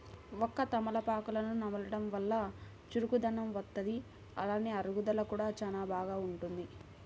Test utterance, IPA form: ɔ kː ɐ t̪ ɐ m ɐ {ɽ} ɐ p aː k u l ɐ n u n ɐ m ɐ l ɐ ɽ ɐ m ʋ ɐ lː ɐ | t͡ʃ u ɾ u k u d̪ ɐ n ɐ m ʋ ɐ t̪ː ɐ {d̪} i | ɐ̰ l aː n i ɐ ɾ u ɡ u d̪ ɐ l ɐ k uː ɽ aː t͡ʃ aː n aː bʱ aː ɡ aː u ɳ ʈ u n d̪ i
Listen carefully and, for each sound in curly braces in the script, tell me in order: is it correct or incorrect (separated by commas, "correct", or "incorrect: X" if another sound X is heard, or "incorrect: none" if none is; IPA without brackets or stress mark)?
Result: incorrect: l, correct